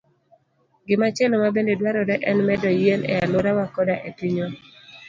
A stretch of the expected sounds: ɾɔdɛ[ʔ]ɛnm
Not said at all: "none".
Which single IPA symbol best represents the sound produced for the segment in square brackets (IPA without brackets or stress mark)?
ʔ